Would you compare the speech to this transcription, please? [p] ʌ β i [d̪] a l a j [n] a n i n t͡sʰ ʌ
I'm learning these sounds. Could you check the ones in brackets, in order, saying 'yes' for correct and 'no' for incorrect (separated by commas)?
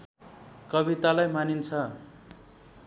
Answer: no, no, no